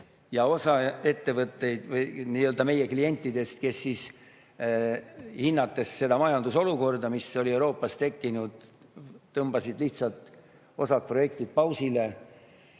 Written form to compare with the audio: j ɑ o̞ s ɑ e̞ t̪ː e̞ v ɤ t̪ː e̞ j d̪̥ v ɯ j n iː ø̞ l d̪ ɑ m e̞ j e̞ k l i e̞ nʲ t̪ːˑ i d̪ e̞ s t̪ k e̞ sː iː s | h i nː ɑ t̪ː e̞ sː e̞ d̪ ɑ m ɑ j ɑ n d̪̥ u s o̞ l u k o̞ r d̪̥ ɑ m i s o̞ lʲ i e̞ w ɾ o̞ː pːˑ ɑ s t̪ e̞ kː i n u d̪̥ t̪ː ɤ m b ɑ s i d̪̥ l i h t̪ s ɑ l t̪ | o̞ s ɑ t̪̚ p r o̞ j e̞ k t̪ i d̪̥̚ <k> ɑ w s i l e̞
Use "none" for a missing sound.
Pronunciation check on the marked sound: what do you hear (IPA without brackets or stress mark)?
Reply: p